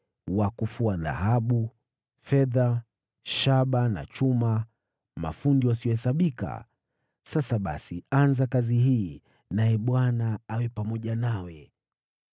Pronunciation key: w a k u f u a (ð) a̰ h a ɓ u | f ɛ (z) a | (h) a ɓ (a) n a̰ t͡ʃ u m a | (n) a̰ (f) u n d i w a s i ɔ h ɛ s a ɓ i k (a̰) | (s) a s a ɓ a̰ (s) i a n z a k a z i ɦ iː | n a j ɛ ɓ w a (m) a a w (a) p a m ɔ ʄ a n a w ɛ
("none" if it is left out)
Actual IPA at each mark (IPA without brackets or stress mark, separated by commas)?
ð, ð, ʃ, a, m, f, a̰, s, s, n, ɛ